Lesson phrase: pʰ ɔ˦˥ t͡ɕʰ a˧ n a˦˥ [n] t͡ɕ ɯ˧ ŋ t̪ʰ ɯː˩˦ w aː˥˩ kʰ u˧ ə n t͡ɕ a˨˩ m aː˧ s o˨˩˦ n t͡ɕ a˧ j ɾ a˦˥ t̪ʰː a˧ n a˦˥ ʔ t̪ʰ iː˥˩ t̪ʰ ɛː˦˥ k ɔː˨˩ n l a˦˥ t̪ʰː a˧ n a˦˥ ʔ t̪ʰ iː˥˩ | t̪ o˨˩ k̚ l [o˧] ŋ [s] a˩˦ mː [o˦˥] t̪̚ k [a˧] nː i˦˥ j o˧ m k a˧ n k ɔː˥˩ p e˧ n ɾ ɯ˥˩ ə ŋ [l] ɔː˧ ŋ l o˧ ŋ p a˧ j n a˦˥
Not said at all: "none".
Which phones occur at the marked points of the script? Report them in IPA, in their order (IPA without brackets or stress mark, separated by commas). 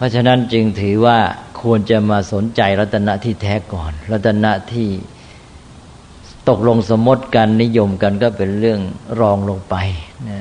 n, o˧, s, o˦˥, a˧, ɾ